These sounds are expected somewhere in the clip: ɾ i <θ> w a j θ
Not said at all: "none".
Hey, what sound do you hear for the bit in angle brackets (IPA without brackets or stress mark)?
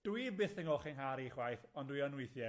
χ